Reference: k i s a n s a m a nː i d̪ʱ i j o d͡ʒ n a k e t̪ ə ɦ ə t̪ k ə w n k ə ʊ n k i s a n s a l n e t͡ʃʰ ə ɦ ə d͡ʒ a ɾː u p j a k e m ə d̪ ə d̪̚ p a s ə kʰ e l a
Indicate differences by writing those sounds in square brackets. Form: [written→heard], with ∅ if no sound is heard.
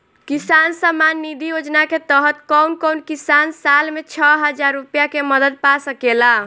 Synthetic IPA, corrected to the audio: k i s a n s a m a nː i d̪ʱ i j o d͡ʒ n a k e t̪ ə ɦ ə t̪ k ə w n k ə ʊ n k i s a n s a l [n→m] e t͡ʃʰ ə ɦ ə d͡ʒ a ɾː u p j a k e m ə d̪ ə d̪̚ p a s ə [kʰ→k] e l a